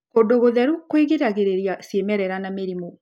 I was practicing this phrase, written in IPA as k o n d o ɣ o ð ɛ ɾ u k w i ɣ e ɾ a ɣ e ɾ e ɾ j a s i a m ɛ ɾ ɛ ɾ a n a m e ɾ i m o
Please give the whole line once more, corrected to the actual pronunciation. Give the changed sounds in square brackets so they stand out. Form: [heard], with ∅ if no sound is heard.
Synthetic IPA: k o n d o ɣ o ð ɛ ɾ u k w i ɣ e ɾ a ɣ e ɾ e ɾ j a s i [e] m ɛ ɾ ɛ ɾ a n a m e ɾ i m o

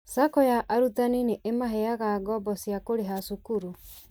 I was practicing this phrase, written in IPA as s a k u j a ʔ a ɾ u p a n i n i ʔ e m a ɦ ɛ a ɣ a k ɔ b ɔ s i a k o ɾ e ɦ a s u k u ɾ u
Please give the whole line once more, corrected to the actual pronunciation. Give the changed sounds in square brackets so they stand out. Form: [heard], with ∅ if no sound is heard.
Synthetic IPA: s a k [ɔ] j a ʔ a ɾ u [t] a n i n [e] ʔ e m a ɦ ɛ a ɣ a [ɡ] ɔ b ɔ s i a k o ɾ e ɦ a s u k u ɾ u

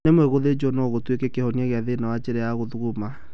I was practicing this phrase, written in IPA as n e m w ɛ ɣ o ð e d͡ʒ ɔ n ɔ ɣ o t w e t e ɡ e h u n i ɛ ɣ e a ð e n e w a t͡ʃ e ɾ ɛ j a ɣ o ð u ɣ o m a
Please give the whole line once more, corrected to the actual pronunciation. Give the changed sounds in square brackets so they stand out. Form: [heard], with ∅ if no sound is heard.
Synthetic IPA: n e m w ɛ ɣ o ð e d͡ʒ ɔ n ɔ ɣ o t w e [k] e [k] e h [ɔ] n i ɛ ɣ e a ð e n [a] w a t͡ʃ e ɾ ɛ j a ɣ o ð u ɣ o m a

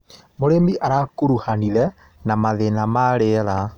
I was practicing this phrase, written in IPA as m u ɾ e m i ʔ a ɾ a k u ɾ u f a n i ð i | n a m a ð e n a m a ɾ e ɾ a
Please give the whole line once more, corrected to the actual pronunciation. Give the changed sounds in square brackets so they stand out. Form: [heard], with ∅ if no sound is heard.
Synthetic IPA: m [o] ɾ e m i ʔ a ɾ a k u ɾ u [h] a n i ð [ɛ] | n a m a ð e n a m a ɾ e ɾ a

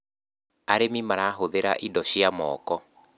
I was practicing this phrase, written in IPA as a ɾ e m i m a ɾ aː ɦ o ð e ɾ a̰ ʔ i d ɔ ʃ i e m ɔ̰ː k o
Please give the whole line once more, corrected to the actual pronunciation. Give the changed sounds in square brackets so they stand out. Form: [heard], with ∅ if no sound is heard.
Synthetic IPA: a ɾ e m i m a ɾ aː ɦ o ð e ɾ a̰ ʔ i d ɔ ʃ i [a] m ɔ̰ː k [ɔ]

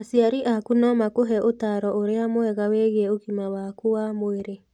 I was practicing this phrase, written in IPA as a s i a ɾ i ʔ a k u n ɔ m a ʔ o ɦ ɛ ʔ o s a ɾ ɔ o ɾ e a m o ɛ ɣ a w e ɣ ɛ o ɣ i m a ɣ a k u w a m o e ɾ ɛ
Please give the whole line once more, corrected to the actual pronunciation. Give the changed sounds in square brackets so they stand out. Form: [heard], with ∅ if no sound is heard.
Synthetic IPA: a s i a ɾ i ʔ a k u n ɔ m a [k] o ɦ ɛ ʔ o [t] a ɾ ɔ o ɾ e a m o ɛ ɣ a w e ɣ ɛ o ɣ i m a [w] a k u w a m o e ɾ [e]

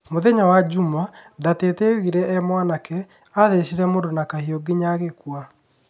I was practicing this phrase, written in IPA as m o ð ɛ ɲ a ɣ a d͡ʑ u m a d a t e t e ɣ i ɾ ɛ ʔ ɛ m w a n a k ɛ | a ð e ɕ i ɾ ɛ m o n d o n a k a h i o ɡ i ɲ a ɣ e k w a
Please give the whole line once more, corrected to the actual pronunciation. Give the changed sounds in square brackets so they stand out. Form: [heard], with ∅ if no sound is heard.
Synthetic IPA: m o ð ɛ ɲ a [w] a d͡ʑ u m a d a t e t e ɣ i ɾ ɛ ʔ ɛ m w a n a k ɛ | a ð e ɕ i ɾ ɛ m o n d o n a k a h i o ɡ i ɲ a ɣ e k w a

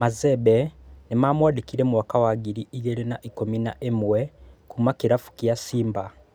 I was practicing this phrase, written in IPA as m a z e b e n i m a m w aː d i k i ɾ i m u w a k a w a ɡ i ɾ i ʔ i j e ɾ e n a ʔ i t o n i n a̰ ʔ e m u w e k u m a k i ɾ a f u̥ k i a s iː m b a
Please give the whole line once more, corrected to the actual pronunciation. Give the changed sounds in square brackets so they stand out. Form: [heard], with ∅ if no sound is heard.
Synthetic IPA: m a z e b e n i m a m w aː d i k i ɾ [e] m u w a k a w a ɡ i ɾ i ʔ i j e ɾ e n a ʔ i [k] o [m] i n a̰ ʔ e m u w e k u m a k i ɾ a f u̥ k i a s iː m b a

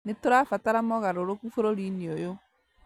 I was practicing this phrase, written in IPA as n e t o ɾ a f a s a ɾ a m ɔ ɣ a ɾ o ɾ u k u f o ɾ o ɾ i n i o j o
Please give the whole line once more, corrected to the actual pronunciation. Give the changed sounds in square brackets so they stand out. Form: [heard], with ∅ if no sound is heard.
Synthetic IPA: n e t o ɾ a f a [t] a ɾ a m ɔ ɣ a ɾ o ɾ [o] k u f o ɾ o ɾ i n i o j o

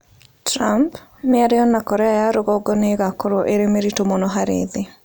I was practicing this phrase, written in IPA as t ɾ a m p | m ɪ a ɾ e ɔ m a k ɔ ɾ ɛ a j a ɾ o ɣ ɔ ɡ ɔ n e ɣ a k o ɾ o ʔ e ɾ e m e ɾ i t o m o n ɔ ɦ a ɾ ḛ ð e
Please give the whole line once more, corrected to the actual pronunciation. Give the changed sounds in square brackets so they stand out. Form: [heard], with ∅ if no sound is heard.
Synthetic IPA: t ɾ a m p | m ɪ a ɾ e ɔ [n] a k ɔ ɾ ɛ a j a ɾ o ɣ ɔ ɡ ɔ n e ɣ a k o ɾ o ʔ e ɾ e m e ɾ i t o m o n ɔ ɦ a ɾ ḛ ð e

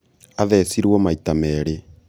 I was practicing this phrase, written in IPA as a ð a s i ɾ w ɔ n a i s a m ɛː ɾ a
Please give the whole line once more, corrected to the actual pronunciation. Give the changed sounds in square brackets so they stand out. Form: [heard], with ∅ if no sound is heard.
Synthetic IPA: a ð [ɛ] s i ɾ w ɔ [m] a i [t] a m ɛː ɾ [e]

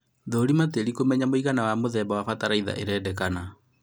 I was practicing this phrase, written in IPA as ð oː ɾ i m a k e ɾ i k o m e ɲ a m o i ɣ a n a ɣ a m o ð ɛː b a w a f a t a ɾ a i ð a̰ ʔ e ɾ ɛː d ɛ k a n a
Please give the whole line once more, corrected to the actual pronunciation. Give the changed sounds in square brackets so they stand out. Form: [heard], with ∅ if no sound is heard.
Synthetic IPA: ð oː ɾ i m a [t] e ɾ i k o m [ɛ] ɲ a m o i ɣ a n a [w] a m o ð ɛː b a w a f a t a ɾ a i ð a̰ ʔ e ɾ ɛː d ɛ k a n a

